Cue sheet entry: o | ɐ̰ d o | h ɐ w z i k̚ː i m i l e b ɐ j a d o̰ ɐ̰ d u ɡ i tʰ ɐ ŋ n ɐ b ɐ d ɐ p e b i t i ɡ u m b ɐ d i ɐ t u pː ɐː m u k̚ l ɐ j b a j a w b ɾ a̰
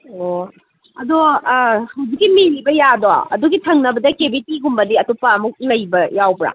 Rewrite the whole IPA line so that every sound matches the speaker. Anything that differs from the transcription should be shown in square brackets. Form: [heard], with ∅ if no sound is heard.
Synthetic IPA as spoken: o | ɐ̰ d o | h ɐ w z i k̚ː i m i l [i] b ɐ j a d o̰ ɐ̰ d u ɡ i tʰ ɐ ŋ n ɐ b ɐ d ɐ [k] e b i t i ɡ u m b ɐ d i ɐ t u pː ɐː m u k̚ l ɐ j b [ɐ] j a w b ɾ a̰